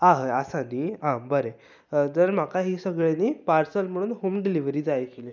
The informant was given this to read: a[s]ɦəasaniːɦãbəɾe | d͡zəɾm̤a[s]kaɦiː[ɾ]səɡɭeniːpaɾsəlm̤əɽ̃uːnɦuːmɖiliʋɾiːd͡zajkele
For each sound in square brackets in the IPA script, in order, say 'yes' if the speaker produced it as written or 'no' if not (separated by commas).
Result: no, no, no